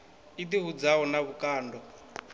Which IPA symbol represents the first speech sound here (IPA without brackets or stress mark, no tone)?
i